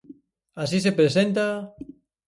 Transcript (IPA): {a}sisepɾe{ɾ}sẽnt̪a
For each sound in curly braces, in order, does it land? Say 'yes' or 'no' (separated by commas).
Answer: yes, no